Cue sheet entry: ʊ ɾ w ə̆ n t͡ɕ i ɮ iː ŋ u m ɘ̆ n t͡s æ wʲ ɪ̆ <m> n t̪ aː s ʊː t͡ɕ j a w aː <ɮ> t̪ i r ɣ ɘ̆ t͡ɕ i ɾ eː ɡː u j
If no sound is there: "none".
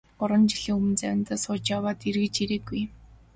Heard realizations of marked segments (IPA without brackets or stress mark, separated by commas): none, none